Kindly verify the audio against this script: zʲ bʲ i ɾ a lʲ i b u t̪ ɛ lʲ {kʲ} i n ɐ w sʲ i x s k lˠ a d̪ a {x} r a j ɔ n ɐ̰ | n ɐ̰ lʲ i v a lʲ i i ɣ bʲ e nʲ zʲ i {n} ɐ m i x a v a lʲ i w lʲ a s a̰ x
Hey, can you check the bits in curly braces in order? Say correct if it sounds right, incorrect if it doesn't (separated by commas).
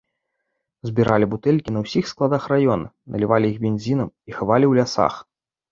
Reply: correct, correct, correct